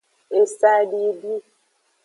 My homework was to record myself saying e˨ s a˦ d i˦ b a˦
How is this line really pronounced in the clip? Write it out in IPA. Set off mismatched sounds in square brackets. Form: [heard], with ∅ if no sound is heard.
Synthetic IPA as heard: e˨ s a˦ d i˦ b [i˦]